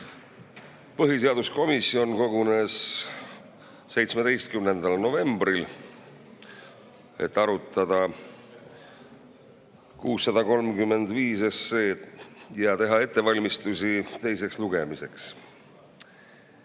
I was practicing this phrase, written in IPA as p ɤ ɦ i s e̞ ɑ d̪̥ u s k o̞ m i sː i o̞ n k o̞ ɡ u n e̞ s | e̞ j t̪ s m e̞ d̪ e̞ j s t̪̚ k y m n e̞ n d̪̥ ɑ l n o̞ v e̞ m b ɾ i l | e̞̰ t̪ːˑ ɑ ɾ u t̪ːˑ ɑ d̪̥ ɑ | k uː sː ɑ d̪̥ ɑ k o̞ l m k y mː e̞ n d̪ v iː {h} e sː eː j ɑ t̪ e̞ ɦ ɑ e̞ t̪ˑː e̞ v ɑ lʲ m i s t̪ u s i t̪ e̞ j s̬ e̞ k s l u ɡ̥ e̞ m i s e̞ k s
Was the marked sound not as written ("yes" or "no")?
yes